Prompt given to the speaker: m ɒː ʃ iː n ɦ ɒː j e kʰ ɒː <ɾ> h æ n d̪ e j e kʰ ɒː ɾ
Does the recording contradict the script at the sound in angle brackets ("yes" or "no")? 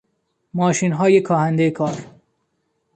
yes